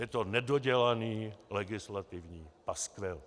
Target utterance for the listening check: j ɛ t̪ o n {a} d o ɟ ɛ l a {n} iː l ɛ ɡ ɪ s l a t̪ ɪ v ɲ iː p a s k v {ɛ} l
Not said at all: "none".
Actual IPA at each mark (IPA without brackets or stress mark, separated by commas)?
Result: ɛ, n, ɛ